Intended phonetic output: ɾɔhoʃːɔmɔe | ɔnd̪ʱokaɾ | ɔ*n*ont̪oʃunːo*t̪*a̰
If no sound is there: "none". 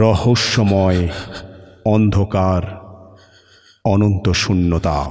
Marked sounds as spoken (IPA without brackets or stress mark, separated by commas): n, t̪